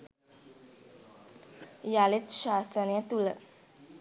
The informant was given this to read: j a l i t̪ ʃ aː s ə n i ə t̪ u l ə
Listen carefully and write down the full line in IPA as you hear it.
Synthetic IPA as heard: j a l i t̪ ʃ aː s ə n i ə t̪ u l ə